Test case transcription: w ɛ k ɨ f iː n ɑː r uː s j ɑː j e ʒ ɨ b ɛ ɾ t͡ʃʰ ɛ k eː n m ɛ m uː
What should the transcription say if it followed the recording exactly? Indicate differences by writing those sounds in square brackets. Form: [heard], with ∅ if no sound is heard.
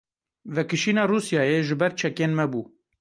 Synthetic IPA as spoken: [v] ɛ k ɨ [ʃ] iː n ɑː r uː s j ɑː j e ʒ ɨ b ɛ ɾ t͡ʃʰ ɛ k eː n m ɛ [b] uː

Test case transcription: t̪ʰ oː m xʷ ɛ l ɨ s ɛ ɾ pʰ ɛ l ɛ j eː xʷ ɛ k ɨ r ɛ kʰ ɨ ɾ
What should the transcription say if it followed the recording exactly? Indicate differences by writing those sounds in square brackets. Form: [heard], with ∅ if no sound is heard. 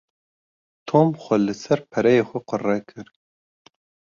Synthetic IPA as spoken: t̪ʰ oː m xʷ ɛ l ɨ s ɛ ɾ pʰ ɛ [ɾ] ɛ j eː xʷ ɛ [q] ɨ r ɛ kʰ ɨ ɾ

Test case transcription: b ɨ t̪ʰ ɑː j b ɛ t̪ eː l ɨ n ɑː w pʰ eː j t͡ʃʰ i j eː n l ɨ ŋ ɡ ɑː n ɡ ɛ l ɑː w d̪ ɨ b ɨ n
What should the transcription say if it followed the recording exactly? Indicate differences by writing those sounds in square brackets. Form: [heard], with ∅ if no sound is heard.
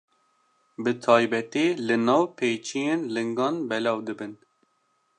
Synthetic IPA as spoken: b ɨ t̪ʰ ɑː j b ɛ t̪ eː l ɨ n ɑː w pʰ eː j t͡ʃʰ i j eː n l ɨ ŋ ɡ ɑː n [b] ɛ l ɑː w d̪ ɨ b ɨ n

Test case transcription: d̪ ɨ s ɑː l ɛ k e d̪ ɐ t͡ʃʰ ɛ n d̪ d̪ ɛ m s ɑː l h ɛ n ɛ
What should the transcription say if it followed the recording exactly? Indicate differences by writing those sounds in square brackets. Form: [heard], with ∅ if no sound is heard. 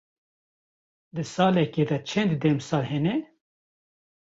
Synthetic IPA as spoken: d̪ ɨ s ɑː l ɛ k e d̪ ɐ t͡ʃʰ ɛ n d̪ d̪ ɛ m s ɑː l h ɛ n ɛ

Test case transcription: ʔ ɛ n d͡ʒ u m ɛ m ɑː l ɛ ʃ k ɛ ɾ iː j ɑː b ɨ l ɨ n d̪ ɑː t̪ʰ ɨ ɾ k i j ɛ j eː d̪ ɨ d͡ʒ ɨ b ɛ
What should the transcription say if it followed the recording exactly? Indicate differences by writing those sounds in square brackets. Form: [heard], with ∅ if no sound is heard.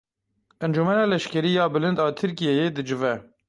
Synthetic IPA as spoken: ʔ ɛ n d͡ʒ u m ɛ [n] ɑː l ɛ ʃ k ɛ ɾ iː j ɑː b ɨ l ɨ n d̪ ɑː t̪ʰ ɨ ɾ k i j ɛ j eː d̪ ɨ d͡ʒ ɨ [v] ɛ

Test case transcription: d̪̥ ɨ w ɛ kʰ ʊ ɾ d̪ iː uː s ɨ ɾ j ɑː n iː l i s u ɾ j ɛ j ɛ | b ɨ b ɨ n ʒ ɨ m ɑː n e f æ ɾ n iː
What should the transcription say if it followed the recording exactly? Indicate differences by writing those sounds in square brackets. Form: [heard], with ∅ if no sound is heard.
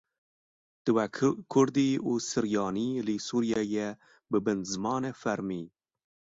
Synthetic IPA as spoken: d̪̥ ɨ w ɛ kʰ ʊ ɾ d̪ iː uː s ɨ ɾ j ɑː n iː l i s u ɾ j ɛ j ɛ | b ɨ b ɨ n [z] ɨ m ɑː n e f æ ɾ [m] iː

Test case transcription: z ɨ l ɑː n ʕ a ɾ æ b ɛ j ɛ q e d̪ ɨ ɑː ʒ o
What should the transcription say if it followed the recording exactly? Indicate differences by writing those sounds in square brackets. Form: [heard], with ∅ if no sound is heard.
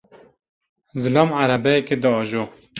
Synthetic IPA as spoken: z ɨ l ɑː [m] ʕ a ɾ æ b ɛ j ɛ [k] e d̪ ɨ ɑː ʒ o

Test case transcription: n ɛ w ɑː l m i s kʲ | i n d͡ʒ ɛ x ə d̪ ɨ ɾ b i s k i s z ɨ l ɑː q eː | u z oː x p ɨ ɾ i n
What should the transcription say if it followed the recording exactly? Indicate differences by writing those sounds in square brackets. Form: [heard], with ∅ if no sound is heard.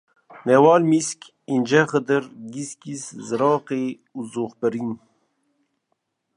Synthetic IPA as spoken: n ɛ w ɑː l m i s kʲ | i n d͡ʒ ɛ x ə d̪ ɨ ɾ [ɡ] i s k i s z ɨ [ɾ] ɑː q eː | u z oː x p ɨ ɾ i n

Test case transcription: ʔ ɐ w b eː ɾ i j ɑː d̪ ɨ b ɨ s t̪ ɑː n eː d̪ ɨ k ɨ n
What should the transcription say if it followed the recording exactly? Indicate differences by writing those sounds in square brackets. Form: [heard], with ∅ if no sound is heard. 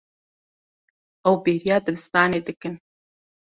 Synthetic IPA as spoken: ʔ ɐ w b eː ɾ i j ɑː d̪ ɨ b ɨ s t̪ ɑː n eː d̪ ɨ k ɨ n

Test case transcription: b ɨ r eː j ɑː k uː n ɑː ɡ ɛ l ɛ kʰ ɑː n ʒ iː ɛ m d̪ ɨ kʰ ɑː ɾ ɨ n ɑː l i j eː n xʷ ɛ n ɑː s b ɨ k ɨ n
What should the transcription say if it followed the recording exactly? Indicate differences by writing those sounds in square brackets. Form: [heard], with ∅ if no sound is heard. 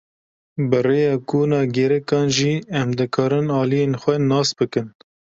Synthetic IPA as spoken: b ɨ r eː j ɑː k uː n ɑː ɡ ɛ [ɾ] ɛ [k] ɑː n ʒ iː ɛ m d̪ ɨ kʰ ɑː ɾ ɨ n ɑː l i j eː n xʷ ɛ n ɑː s b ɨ k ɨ n

